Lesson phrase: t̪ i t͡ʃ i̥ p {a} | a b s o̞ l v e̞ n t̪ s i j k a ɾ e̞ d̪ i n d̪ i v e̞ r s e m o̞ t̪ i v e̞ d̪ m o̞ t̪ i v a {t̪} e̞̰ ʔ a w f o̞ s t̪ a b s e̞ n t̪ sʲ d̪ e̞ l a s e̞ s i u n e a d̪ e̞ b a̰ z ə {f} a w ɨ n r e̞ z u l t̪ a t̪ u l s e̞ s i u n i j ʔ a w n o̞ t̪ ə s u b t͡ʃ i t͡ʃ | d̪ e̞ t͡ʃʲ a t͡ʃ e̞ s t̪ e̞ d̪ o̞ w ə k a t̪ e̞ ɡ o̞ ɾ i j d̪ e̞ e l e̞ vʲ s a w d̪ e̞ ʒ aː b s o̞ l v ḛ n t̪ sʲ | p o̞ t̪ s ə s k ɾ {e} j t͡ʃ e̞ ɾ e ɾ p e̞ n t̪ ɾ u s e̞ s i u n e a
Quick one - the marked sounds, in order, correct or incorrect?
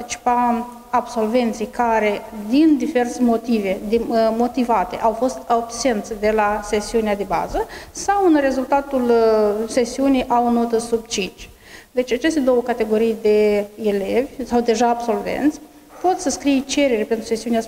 correct, correct, incorrect: s, incorrect: i

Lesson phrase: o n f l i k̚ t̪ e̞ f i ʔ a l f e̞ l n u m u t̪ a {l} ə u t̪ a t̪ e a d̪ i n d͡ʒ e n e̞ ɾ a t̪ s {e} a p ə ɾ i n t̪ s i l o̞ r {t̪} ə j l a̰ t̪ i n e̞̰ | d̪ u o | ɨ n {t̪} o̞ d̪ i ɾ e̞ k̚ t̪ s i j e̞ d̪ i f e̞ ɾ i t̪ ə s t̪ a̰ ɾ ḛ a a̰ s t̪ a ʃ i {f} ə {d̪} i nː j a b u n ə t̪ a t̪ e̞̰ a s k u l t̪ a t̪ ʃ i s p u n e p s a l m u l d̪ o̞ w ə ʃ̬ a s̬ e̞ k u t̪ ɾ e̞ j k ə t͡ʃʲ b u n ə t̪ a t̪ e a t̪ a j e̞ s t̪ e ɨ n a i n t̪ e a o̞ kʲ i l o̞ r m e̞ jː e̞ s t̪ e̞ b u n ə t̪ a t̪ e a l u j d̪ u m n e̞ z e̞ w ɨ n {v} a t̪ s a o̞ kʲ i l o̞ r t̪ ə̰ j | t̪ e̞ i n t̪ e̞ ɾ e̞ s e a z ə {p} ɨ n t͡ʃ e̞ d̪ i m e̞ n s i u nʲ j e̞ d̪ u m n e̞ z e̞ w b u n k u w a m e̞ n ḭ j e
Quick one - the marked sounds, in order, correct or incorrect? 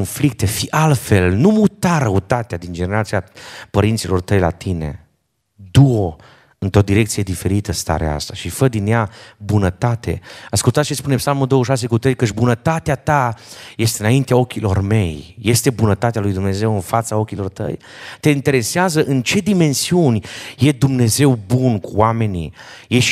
incorrect: ɾ, incorrect: i, correct, correct, correct, correct, incorrect: f, incorrect: ʔ

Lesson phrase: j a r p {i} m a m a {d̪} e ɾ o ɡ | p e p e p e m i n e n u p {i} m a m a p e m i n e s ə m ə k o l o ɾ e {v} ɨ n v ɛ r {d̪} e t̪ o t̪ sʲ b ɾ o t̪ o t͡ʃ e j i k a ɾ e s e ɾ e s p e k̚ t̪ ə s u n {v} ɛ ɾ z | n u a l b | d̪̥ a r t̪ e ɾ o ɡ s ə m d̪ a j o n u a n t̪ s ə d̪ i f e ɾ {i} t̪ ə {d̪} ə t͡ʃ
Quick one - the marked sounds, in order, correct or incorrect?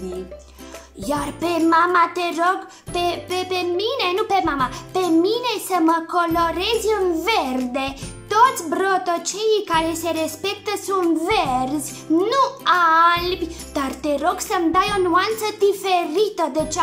incorrect: e, incorrect: t̪, incorrect: e, incorrect: z, correct, correct, correct, correct

